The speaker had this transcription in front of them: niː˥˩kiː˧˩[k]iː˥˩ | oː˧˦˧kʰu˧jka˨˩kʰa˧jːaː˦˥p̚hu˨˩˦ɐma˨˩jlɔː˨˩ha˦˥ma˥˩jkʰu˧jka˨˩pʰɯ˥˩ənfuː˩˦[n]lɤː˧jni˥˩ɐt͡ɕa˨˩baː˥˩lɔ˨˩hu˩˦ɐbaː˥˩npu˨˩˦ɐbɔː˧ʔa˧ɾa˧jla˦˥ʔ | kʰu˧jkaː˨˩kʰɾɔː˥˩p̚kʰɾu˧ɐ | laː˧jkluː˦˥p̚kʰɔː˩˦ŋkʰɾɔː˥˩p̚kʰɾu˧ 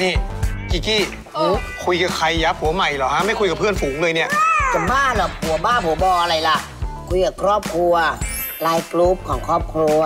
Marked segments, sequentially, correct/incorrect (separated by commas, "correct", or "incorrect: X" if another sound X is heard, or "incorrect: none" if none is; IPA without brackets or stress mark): correct, incorrect: ŋ